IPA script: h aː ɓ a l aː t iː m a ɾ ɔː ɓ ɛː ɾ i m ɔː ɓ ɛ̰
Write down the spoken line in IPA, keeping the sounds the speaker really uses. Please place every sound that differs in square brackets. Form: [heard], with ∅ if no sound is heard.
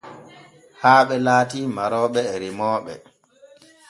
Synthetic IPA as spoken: h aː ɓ [ɛ] l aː t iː m a ɾ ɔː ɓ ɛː ɾ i m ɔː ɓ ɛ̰